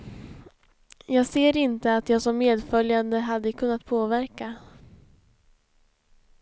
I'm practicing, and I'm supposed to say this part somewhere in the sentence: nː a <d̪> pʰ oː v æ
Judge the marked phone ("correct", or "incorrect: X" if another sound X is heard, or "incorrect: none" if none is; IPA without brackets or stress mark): incorrect: t̪